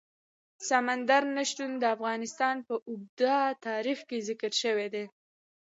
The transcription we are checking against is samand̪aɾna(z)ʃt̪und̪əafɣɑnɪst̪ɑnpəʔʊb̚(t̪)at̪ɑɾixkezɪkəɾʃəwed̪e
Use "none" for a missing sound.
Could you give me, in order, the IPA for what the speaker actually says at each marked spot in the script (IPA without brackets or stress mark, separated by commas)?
none, d̪